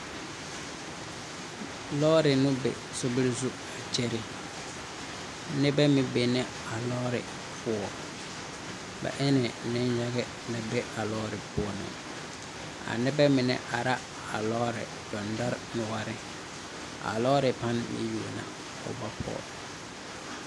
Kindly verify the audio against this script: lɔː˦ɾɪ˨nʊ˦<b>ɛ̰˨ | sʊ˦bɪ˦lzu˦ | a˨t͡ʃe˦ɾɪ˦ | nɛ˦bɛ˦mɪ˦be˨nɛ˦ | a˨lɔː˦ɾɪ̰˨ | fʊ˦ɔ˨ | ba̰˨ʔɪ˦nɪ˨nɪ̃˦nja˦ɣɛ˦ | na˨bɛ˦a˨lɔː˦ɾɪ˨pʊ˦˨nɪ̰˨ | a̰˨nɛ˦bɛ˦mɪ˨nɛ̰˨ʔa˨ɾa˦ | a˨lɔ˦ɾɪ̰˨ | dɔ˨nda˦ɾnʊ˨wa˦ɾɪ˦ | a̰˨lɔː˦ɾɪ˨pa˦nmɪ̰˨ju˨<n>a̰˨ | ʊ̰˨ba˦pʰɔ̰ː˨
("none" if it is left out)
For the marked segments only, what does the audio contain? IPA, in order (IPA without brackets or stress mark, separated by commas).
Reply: b, n